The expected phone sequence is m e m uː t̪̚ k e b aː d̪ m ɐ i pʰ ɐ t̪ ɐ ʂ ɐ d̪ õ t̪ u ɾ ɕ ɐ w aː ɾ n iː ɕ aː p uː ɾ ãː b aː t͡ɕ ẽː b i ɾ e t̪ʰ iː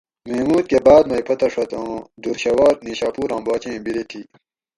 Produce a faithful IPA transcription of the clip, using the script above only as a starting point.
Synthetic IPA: m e m uː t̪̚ k e b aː d̪ m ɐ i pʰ ɐ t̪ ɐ ʂ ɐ t̪ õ d̪ u ɾ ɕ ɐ w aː ɾ n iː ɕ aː p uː ɾ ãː b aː t͡ɕ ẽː b i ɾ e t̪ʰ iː